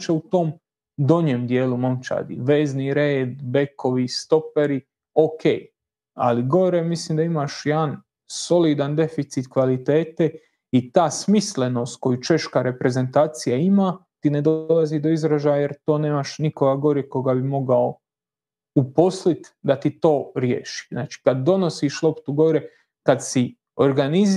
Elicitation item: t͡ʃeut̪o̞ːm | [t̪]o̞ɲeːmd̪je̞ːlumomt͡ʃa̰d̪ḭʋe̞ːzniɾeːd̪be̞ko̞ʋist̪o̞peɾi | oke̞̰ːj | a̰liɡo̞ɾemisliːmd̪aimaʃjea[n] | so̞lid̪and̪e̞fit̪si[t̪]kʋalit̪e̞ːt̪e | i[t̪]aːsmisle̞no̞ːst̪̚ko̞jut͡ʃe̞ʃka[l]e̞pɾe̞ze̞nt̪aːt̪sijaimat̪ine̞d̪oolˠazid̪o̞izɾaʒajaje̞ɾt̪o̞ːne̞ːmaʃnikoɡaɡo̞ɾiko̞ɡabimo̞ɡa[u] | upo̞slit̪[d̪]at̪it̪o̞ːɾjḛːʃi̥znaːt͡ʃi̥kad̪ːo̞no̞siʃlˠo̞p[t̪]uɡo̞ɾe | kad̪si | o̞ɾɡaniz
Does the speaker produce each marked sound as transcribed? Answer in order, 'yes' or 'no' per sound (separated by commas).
no, yes, yes, yes, no, no, yes, yes